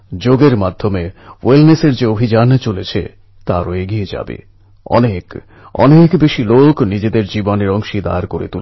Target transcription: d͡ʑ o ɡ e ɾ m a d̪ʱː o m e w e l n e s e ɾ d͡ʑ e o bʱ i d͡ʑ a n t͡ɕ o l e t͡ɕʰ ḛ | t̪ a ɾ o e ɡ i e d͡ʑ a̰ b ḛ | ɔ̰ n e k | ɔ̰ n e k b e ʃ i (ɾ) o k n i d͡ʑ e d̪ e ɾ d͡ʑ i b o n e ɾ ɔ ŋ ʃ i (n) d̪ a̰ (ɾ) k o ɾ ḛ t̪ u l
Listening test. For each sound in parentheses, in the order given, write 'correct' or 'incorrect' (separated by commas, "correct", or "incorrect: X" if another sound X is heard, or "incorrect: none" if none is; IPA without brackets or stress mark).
incorrect: l, incorrect: none, correct